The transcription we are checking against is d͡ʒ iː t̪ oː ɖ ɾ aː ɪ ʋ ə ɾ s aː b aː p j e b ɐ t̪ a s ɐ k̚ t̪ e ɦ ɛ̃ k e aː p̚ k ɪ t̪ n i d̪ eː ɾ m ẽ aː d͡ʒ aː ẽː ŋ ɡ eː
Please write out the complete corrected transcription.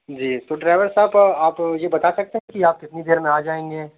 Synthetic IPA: d͡ʒ iː t̪ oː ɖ ɾ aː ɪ ʋ ə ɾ s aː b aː p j e b ɐ t̪ a s ɐ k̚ t̪ e ɦ ɛ̃ k i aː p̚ k ɪ t̪ n i d̪ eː ɾ m ẽ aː d͡ʒ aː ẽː ŋ ɡ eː